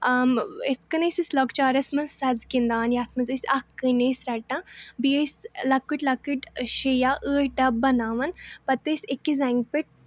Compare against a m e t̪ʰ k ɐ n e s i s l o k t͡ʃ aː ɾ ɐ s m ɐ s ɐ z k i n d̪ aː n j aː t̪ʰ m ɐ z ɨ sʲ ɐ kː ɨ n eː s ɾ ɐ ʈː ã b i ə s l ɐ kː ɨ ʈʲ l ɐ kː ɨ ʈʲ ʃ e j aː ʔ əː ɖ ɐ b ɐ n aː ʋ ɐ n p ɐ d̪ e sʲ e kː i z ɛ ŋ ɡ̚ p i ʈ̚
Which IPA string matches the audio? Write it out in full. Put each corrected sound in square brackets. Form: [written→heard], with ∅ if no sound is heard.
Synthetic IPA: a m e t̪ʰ k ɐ n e s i s l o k t͡ʃ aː ɾ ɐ s m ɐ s ɐ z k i n d̪ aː n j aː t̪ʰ m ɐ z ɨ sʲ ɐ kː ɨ n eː s ɾ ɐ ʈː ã b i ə s l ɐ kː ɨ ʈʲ l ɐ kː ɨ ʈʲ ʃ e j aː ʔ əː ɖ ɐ b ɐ n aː ʋ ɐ n p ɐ [d̪→t̪] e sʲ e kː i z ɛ ŋ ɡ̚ p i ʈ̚